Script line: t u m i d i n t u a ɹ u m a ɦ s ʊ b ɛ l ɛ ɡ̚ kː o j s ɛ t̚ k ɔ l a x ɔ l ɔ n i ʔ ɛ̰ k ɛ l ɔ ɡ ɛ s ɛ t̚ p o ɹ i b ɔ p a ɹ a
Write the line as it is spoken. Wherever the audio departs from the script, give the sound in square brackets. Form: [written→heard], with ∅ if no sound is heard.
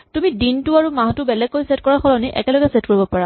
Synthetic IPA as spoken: t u m i d i n t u a ɹ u m a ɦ [s→t] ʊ b ɛ l ɛ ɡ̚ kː o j s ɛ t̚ k ɔ [l→ɹ] a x ɔ l ɔ n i ʔ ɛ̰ k ɛ l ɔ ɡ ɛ s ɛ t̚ [p→k] o ɹ i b ɔ p a ɹ a

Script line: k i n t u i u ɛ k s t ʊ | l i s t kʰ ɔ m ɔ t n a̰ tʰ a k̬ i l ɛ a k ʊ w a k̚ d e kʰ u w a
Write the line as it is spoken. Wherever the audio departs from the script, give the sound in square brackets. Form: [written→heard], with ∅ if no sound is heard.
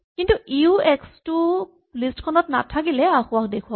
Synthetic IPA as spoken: k i n t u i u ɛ k s t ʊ | l i s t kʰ ɔ [m→n] ɔ t n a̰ tʰ a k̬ i l ɛ a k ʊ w a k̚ d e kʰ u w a

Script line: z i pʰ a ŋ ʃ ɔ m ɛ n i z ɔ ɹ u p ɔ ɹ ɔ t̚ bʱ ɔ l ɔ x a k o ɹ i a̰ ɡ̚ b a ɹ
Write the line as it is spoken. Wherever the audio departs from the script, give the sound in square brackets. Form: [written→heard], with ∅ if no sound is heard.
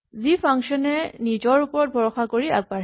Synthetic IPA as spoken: z i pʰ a ŋ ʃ ɔ [m→n] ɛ n i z ɔ ɹ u p ɔ ɹ ɔ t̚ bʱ ɔ [l→ɹ] ɔ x a k o ɹ i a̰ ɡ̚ b a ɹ

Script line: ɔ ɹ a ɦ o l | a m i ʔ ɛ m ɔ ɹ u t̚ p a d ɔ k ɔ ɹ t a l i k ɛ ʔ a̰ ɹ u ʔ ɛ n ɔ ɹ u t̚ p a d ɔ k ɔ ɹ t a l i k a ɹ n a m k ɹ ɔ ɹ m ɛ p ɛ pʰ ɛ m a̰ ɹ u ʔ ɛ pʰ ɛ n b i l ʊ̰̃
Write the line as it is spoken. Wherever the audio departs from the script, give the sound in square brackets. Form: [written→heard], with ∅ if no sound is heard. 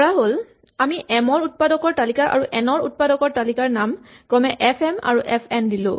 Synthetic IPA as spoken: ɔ ɹ a ɦ o l | a m i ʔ ɛ m ɔ ɹ u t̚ p a d ɔ k ɔ ɹ t a l i k [ɛ→a] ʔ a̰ ɹ u ʔ ɛ n ɔ ɹ u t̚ p a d ɔ k ɔ ɹ t a l i k a ɹ n a m k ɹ ɔ [ɹ→∅] m ɛ [p→ʔ] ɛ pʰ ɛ m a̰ ɹ u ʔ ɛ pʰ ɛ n [b→d] i l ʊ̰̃

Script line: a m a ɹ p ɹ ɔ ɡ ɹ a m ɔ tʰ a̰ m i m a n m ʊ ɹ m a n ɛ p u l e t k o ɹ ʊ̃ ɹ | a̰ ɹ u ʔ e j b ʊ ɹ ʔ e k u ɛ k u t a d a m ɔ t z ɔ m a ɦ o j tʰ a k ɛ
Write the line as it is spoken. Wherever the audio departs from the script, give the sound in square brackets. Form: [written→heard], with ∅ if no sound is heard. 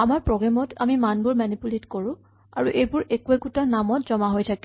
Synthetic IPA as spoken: a m a ɹ p ɹ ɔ ɡ ɹ a m ɔ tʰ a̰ m i m a n [m→b] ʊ ɹ m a n [ɛ→i] p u l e t k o ɹ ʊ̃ [ɹ→∅] | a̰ ɹ u ʔ e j b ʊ ɹ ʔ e k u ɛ k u t a [d→n] a m ɔ t z ɔ m a ɦ o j tʰ a k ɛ

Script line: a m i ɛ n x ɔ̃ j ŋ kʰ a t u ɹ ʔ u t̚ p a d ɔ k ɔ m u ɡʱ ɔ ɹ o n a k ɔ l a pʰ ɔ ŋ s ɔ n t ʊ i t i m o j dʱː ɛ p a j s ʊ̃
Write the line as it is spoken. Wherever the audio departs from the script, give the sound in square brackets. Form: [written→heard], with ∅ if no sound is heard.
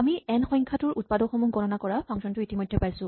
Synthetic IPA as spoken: a m i ɛ n x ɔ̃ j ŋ kʰ a t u ɹ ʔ u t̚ p a d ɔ [k→x] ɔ m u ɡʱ ɔ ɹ [o→ɔ] n a k ɔ [l→ɹ] a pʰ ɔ ŋ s ɔ n t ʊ i t i m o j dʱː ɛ p a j s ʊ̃

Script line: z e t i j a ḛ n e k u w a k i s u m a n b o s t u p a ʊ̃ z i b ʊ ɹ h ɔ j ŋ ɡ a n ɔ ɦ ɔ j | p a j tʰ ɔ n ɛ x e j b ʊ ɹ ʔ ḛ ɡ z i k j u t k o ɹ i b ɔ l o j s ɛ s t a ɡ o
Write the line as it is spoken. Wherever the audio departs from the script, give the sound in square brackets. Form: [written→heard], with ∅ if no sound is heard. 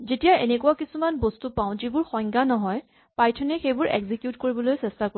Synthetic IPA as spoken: z e t i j a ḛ n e k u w a k i s u m a n b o s t u p a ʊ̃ z i b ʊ ɹ [h→x] ɔ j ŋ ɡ a n ɔ ɦ ɔ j | p a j tʰ ɔ n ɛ x e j b ʊ ɹ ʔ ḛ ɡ z i k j u t k o ɹ i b ɔ l o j s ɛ s t a [ɡ→k] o

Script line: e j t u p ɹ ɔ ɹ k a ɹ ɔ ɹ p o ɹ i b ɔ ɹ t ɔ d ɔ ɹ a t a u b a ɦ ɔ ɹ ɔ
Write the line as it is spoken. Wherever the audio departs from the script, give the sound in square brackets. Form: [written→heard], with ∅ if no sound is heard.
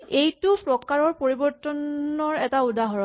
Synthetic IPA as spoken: e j t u p ɹ ɔ [ɹ→∅] k a ɹ ɔ ɹ p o ɹ i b ɔ ɹ t ɔ [d→n] ɔ ɹ [a→ɛ] t a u [b→d] a ɦ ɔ ɹ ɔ

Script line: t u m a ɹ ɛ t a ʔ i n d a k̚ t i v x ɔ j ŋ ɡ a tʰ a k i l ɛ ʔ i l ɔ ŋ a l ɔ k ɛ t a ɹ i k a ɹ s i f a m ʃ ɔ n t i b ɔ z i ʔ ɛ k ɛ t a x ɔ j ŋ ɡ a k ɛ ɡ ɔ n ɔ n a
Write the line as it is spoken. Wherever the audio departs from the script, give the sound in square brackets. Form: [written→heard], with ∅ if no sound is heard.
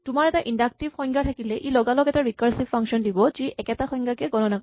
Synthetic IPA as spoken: t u m a ɹ ɛ t a ʔ i n d a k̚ t i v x ɔ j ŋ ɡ a tʰ a k i l ɛ ʔ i l ɔ [ŋ→ɡ] a l ɔ k ɛ t a ɹ i k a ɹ s i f a [m→ŋ] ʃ ɔ n [t→d] i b ɔ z i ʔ ɛ k ɛ t a x ɔ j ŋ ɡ a k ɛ ɡ ɔ n ɔ n a

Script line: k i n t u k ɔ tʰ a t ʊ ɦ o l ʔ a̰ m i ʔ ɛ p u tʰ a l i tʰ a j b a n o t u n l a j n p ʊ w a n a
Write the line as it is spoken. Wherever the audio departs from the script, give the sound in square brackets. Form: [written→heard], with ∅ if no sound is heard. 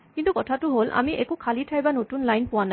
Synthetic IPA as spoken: k i n t u k ɔ tʰ a t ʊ ɦ o l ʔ a̰ m i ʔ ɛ [p→k] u [tʰ→kʰ] a l i tʰ a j b a n o t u n l a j n p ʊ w a n a

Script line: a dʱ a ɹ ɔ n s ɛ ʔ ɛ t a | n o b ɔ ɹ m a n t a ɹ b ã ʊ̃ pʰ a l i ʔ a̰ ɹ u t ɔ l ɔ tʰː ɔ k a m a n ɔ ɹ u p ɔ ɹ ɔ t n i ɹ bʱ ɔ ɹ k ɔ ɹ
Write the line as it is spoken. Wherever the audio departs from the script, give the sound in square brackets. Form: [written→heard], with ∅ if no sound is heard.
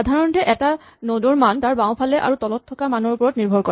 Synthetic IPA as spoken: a dʱ a ɹ ɔ n [s→t] ɛ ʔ ɛ t a | n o [b→d] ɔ ɹ m a n t a ɹ b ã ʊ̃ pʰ a l [i→ɛ] ʔ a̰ ɹ u t ɔ l ɔ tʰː ɔ k a m a n ɔ ɹ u p ɔ ɹ ɔ t n i ɹ bʱ ɔ ɹ k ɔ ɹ

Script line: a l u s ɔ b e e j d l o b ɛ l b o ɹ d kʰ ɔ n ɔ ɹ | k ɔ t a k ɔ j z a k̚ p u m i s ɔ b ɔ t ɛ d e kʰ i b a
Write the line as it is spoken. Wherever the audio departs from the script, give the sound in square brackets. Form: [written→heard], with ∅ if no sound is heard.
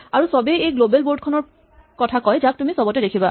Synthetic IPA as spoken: a [l→ɹ] u s ɔ b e e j [d→ɡ] l o b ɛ l b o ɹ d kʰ ɔ n ɔ ɹ | k ɔ [t→tʰ] a k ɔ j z a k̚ [p→t] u m i s ɔ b ɔ t ɛ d e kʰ i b a

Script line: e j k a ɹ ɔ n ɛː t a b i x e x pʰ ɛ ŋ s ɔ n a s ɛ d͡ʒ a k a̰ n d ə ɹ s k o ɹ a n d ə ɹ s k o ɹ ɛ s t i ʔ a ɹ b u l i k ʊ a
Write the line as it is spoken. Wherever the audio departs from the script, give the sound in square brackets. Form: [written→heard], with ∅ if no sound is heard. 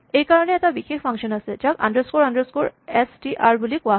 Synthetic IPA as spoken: e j k a ɹ ɔ n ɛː t a b i x e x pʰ [ɛ→a] ŋ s ɔ n a s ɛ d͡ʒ a k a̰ n d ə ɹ s k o ɹ a n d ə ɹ s k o ɹ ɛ s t i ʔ a ɹ b u l i k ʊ a

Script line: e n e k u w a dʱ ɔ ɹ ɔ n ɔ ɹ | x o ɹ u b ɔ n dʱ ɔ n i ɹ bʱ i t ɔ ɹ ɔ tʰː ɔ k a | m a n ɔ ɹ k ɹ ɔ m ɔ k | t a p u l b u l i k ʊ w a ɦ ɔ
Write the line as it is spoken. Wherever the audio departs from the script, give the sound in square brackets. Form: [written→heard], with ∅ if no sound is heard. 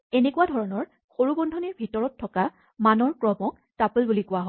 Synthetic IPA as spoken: e n e k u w a dʱ ɔ ɹ ɔ n ɔ ɹ | x o ɹ u b ɔ n dʱ ɔ n i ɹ bʱ i t ɔ ɹ ɔ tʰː ɔ k a | m a n ɔ ɹ k ɹ ɔ m ɔ k | t a p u l b u l i k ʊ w a ɦ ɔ

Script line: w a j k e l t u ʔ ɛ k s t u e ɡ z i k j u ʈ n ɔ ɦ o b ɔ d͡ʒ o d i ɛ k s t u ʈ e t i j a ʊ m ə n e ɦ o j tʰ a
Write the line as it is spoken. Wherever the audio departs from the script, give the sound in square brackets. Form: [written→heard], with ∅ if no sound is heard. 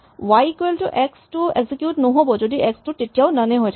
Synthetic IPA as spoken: w a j k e l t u ʔ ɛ k s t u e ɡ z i k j u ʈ n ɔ ɦ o b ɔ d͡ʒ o d i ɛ k s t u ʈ e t i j a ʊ [m→n] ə n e ɦ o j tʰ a

